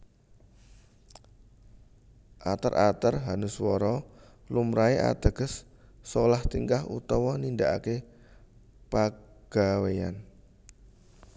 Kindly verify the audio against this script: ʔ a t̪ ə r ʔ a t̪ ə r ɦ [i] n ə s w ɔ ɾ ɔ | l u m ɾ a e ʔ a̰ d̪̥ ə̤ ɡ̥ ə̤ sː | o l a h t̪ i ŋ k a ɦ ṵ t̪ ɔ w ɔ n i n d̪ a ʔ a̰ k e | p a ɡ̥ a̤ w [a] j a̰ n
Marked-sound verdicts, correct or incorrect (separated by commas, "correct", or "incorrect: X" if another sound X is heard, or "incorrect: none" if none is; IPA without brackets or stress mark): incorrect: a, incorrect: e